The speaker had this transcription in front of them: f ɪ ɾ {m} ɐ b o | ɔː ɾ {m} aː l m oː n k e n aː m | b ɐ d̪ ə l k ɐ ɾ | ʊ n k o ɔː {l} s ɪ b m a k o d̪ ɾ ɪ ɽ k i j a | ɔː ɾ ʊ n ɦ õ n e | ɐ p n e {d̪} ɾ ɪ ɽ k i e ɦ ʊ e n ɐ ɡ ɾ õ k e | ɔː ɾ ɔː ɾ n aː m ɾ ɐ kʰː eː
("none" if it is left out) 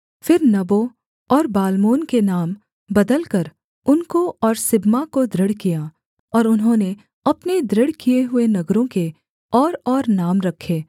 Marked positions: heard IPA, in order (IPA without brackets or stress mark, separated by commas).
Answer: n, b, ɾ, d̪